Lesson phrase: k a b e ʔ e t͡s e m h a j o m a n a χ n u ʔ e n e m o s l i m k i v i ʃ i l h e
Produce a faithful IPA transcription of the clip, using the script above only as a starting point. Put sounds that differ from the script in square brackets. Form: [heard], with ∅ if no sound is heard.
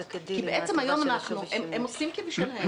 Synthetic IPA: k [i] b e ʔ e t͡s e m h a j o m a n a χ n u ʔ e [m] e m o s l i m k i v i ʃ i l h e